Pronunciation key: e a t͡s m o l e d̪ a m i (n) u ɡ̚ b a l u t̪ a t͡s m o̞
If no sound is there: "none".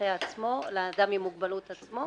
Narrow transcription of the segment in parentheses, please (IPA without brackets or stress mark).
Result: m